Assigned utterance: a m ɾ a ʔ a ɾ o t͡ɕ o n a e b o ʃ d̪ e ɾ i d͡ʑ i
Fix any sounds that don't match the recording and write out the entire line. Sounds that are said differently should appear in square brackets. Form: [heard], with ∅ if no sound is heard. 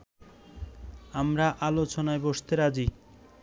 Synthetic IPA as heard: a m ɾ a ʔ a [l] o t͡ɕ o n a e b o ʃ [t̪] e ɾ [a] d͡ʑ i